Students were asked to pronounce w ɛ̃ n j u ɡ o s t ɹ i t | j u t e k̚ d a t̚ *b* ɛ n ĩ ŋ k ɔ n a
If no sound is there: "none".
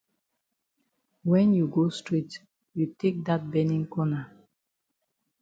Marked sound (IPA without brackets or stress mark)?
b